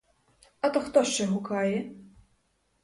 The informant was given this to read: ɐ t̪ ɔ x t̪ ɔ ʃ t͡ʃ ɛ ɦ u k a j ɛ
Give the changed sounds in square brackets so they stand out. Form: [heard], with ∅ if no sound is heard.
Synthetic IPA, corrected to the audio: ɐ t̪ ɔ x t̪ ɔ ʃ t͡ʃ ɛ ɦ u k a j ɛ